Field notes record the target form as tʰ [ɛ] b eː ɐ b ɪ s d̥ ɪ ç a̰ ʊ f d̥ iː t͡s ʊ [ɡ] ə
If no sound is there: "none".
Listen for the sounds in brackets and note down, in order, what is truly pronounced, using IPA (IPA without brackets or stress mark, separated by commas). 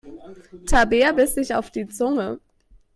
a, ŋ